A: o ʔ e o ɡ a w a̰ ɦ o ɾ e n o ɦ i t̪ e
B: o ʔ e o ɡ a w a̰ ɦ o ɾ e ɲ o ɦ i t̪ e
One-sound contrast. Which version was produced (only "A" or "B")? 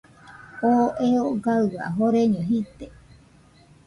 B